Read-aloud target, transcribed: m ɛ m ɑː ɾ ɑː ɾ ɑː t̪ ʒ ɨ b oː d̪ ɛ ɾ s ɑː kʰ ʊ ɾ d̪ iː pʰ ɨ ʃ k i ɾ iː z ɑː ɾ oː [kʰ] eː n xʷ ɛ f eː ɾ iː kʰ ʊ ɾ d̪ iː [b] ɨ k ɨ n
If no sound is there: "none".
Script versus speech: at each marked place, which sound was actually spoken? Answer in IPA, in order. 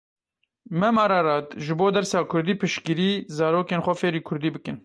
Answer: k, b

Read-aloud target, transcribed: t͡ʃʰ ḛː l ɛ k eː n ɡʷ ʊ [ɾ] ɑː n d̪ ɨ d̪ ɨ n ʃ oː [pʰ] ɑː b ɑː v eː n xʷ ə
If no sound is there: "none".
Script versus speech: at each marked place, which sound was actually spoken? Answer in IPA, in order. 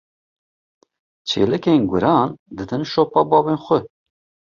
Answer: ɾ, p

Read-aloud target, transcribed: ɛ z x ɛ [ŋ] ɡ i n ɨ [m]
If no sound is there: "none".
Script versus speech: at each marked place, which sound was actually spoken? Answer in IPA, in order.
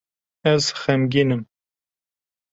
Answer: m, m

